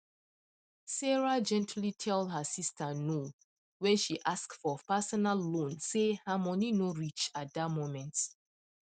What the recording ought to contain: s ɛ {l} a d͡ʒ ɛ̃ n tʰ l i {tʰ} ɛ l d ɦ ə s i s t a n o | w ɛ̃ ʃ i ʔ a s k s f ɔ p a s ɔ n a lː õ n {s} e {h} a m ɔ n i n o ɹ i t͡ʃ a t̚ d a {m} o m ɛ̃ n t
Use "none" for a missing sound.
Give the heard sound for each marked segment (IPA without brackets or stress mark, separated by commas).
ɹ, tʰ, s, h, m